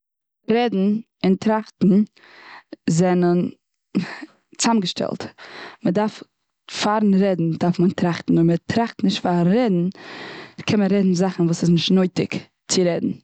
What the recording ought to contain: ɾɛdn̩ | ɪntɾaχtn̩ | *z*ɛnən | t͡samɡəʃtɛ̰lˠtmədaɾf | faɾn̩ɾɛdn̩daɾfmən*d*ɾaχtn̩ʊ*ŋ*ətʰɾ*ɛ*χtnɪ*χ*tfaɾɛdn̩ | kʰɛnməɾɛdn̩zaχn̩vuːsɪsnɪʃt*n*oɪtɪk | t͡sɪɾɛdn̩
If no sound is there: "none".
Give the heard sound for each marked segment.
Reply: z, t, m, a, ʃ, n

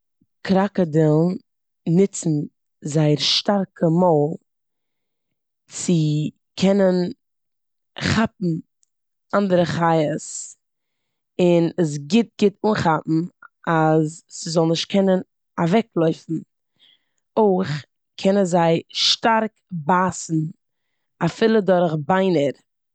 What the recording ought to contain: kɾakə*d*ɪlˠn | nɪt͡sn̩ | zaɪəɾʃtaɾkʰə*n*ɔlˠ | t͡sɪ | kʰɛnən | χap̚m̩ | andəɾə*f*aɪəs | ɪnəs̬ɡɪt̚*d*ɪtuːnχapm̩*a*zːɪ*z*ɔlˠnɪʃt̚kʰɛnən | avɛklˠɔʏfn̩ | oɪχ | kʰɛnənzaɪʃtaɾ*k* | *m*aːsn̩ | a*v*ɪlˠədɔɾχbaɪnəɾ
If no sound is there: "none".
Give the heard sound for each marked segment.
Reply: d, m, χ, ɡ, a, z, k, b, f

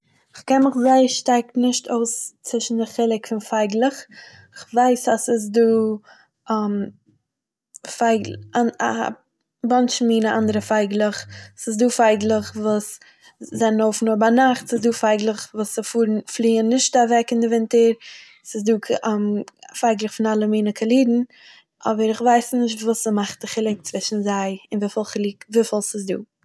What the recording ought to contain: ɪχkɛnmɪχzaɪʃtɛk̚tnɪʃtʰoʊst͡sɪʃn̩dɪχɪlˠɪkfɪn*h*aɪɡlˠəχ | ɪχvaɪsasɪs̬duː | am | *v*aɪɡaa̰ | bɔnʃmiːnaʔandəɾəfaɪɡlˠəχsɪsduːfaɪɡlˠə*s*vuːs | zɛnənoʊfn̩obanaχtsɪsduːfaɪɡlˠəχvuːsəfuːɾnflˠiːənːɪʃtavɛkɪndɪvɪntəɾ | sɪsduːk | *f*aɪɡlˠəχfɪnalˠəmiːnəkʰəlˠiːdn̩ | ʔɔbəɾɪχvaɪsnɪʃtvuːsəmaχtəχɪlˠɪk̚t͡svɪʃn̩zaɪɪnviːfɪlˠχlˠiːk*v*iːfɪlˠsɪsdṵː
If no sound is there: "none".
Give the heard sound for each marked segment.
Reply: f, f, χ, f, v

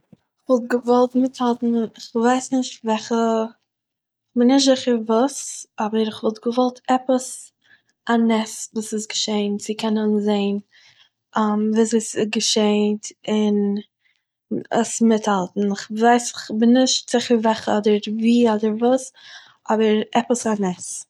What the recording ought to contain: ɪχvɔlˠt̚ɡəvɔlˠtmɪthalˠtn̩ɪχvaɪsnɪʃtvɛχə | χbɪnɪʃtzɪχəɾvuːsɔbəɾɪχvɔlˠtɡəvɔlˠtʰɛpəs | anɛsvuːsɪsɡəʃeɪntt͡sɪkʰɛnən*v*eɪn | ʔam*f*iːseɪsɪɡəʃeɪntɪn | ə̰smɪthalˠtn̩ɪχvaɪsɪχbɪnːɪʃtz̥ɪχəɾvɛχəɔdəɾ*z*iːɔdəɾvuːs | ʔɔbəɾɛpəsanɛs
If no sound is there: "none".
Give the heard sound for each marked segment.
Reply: z, v, v

